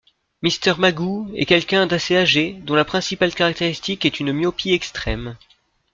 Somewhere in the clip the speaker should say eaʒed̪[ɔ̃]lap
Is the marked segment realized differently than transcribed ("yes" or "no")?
no